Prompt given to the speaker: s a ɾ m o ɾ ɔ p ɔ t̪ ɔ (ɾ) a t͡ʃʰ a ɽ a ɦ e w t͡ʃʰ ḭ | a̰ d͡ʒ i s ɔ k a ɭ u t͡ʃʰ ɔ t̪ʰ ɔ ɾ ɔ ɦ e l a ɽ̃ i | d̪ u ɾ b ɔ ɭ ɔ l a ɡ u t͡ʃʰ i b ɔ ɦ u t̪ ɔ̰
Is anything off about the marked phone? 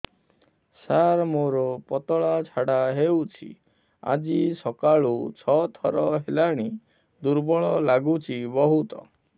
yes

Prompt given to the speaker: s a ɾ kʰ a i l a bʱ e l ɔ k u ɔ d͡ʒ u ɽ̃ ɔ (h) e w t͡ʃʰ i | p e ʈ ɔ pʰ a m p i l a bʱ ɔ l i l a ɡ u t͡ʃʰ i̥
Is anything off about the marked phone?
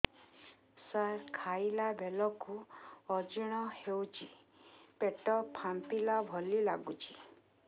no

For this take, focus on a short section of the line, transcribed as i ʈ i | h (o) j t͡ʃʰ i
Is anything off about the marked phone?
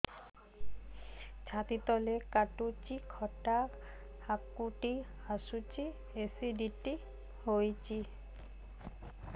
no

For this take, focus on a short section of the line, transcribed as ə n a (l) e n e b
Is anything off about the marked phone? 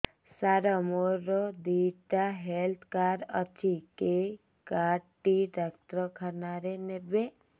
yes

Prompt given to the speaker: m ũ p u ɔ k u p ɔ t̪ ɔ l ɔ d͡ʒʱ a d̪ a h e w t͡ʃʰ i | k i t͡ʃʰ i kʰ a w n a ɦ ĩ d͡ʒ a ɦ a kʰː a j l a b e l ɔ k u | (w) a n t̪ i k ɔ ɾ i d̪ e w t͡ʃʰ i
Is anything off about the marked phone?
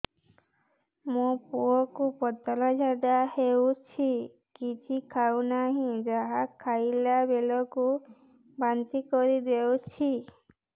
yes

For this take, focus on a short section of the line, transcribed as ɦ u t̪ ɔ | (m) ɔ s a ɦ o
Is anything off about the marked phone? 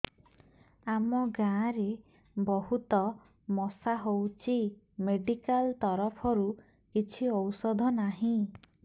no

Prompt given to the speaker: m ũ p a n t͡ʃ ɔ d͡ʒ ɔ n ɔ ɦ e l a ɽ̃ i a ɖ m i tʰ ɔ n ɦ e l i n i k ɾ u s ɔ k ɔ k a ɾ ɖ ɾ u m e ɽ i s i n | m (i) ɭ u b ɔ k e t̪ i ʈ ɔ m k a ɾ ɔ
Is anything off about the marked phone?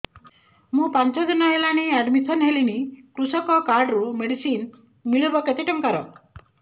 no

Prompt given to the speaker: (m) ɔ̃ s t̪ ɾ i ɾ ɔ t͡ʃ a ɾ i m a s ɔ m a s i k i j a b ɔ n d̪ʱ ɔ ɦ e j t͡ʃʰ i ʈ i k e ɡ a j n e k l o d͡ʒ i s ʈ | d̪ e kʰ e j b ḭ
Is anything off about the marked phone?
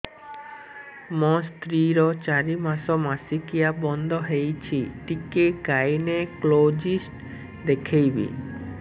no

